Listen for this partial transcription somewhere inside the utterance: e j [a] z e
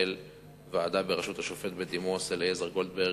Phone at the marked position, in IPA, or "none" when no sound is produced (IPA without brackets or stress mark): e